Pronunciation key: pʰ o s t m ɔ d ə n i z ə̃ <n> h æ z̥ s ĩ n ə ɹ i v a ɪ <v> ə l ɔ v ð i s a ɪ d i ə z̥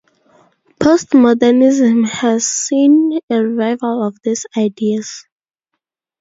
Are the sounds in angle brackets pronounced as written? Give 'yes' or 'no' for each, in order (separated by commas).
no, yes